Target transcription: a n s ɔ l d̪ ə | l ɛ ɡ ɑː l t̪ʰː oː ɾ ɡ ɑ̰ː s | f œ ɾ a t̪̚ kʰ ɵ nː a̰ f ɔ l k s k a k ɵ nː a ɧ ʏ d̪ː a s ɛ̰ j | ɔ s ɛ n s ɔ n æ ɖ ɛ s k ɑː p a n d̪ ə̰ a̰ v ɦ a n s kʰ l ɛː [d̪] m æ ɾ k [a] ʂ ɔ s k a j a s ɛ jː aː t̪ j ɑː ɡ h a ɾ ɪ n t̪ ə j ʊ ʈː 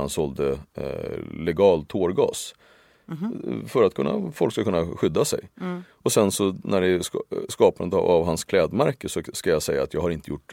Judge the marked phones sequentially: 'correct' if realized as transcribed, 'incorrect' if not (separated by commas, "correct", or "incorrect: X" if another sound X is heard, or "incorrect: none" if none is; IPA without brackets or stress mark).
correct, incorrect: ə